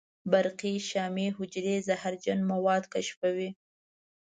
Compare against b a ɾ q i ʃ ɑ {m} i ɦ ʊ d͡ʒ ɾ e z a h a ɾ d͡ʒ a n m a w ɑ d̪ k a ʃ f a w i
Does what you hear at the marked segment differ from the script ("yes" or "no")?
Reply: no